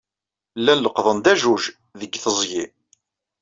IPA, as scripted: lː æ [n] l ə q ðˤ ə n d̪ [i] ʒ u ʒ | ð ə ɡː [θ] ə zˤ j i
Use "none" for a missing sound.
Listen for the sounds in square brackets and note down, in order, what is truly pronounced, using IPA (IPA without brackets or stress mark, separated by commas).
n, æ, θ